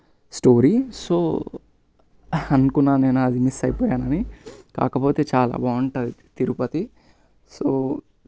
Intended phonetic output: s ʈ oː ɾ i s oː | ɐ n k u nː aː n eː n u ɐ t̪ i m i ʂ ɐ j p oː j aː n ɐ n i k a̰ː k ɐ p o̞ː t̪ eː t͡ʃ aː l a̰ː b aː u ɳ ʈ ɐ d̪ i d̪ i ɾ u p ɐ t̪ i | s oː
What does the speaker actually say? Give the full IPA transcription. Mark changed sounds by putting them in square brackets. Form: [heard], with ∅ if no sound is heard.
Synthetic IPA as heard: s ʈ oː ɾ i s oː | ɐ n k u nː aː n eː n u ɐ [d̪] i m i [s] ɐ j p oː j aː n ɐ n i k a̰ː k ɐ p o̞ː t̪ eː t͡ʃ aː l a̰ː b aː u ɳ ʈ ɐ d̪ i [t̪] i ɾ u p ɐ t̪ i | s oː